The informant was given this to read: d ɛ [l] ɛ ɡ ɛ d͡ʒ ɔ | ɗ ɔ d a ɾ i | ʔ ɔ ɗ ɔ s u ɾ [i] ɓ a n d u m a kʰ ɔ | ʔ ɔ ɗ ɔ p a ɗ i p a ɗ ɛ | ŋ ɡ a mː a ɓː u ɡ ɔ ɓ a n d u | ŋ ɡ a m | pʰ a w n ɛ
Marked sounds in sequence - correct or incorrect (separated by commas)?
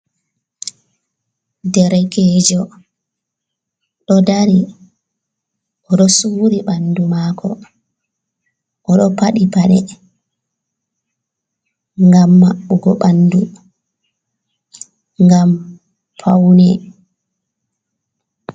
incorrect, correct